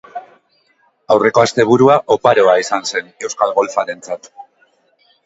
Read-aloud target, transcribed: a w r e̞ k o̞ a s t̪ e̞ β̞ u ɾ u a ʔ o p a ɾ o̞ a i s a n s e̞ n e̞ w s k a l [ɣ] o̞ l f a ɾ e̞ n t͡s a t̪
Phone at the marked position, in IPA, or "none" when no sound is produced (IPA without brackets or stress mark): ɣ